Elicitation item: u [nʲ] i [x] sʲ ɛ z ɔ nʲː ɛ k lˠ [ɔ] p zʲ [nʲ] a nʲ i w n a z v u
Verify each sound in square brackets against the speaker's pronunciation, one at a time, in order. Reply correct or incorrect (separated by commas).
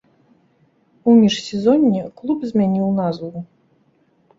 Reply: incorrect, incorrect, incorrect, incorrect